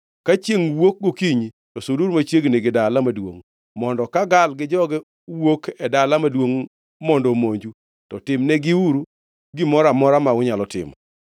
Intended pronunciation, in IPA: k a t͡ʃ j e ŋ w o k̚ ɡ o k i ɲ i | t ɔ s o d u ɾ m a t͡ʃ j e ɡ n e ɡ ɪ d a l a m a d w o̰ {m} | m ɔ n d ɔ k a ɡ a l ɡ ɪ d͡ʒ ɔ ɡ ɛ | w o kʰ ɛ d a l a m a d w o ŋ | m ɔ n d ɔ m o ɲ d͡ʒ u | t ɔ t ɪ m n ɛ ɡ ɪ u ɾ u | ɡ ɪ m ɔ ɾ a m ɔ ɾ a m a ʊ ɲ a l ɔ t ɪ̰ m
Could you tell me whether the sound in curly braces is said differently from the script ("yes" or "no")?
yes